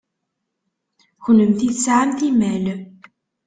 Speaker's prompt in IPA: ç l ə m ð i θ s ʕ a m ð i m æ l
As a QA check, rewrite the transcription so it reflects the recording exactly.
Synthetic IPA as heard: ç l ə m θ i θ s ʕ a m θ i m æ l